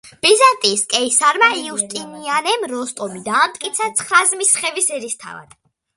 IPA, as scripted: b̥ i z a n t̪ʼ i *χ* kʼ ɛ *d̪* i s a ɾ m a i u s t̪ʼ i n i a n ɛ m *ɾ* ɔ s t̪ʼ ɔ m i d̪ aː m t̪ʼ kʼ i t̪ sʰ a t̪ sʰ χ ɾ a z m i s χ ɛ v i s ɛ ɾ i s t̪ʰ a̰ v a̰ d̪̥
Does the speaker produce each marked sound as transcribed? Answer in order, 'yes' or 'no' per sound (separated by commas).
no, no, yes